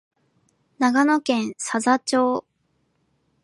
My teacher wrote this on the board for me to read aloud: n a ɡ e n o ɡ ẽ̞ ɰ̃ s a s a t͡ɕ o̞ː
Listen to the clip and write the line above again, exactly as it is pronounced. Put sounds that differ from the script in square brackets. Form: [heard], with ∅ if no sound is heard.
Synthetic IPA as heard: n a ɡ [a] n o [k] ẽ̞ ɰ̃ s a [z] a t͡ɕ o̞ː

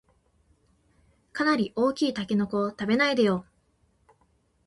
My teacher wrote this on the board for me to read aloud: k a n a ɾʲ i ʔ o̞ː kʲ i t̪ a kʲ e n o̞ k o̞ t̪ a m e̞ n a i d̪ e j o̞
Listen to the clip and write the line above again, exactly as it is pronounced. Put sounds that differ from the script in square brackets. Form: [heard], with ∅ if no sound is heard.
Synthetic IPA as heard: k a n a ɾʲ i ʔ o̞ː kʲ [iː] t̪ a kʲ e n o̞ k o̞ t̪ a [b] e̞ n a i d̪ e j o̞

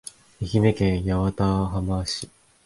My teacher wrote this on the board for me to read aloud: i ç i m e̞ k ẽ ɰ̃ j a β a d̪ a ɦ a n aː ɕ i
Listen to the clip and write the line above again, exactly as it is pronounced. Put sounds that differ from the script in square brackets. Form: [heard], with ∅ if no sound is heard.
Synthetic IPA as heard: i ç i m e̞ k ẽ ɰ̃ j a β a [t̪] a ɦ a [m] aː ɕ i

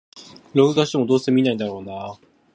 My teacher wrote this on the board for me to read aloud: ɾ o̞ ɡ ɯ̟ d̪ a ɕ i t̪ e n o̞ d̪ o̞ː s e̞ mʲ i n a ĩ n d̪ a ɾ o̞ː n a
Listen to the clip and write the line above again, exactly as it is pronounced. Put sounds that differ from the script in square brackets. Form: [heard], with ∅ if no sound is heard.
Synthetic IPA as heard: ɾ o̞ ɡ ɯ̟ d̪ a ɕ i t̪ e [m] o̞ d̪ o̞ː s e̞ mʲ i n a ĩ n d̪ a ɾ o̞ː n a

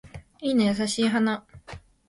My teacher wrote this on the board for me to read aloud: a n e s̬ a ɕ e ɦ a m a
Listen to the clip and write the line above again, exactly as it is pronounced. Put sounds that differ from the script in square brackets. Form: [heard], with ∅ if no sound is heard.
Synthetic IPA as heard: [i] n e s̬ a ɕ [i] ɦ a [n] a

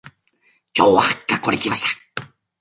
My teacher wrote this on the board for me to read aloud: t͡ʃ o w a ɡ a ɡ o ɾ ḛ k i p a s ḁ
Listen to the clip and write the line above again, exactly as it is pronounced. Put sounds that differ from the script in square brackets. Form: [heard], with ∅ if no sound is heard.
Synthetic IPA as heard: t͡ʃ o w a [k] a [k] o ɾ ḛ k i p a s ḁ

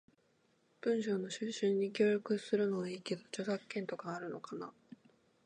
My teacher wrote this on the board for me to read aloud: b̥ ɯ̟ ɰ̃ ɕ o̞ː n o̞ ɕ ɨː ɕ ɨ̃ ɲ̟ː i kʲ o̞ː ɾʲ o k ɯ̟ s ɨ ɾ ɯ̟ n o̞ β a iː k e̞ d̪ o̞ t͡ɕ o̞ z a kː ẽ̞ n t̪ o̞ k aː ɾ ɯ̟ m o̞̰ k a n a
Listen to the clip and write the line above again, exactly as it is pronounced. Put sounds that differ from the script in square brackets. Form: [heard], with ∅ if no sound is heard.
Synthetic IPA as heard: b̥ [ɯ̟̃] ɰ̃ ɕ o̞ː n o̞ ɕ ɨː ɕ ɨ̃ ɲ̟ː i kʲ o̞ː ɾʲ o k ɯ̟ s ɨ ɾ ɯ̟ n o̞ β a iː k e̞ d̪ o̞ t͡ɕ o̞ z a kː ẽ̞ n t̪ o̞ k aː ɾ ɯ̟ [n] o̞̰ k a n a

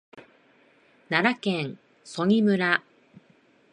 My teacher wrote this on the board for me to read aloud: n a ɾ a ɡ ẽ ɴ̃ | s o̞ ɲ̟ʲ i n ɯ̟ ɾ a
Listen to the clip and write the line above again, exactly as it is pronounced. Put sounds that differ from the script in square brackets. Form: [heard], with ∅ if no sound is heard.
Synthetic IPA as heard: n a ɾ a [k] ẽ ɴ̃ | s o̞ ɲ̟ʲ i [m] ɯ̟ ɾ a

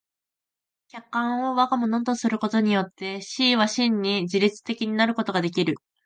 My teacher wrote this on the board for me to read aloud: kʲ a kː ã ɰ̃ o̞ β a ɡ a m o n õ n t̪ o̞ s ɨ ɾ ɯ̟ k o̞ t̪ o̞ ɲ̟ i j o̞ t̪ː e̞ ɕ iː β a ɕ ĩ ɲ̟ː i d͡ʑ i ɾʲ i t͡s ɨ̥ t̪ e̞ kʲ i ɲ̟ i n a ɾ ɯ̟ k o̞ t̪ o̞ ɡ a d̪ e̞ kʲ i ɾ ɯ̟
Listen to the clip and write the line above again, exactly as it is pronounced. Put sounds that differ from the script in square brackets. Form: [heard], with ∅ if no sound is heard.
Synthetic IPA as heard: kʲ a kː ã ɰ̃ o̞ β a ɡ a m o n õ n t̪ o̞ s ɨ ɾ ɯ̟ k o̞ t̪ o̞ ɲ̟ i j o̞ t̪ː e̞ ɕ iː β a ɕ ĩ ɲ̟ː i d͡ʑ i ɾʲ i t͡s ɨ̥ t̪ e̞ kʲ i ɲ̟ i n a ɾ ɯ̟ k o̞ t̪ o̞ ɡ a d̪ e̞ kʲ i ɾ ɯ̟

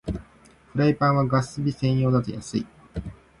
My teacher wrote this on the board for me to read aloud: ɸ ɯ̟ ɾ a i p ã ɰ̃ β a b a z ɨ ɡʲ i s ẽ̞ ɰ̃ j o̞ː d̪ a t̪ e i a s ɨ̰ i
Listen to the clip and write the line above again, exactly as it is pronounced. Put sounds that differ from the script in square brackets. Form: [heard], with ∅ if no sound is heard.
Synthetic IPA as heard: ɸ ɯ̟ ɾ a i p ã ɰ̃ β a [ɡ] a [s] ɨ [bʲ] i s ẽ̞ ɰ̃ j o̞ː d̪ a t̪ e [j] a s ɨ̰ i

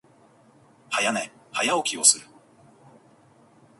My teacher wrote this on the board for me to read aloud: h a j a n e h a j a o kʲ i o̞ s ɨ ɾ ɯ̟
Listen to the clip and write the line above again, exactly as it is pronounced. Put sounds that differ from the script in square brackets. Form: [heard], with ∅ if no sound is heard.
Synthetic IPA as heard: h a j a n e h a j a o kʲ i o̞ s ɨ ɾ ɯ̟

